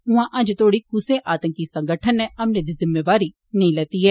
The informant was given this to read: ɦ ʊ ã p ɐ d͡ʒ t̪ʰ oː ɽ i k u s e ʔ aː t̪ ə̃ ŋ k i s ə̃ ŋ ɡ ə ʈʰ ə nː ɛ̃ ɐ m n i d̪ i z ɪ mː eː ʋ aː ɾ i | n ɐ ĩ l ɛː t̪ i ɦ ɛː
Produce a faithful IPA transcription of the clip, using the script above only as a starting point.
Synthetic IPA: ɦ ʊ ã ʔ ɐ d͡ʒ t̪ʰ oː ɽ i k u s e ʔ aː t̪ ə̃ ŋ k i s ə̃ ŋ ɡ ə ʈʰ ə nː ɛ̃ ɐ m n e d̪ i z ɪ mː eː ʋ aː ɾ i | n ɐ ĩ l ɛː t̪ i ɦ ɛː